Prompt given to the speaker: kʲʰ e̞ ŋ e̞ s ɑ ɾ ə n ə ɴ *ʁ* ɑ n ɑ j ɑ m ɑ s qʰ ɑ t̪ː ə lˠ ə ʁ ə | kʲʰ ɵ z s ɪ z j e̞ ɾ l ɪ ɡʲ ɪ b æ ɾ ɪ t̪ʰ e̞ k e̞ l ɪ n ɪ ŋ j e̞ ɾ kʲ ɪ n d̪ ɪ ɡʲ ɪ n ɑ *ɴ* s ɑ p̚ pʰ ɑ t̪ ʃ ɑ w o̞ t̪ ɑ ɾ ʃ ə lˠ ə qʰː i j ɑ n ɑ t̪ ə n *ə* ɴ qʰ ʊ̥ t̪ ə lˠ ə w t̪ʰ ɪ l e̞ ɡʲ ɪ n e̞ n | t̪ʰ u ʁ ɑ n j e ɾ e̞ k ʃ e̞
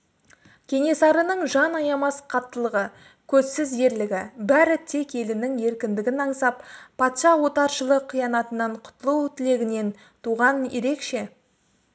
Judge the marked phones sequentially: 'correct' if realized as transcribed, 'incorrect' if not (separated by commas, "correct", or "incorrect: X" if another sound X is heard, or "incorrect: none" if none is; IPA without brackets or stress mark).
incorrect: ʒ, correct, incorrect: ɑ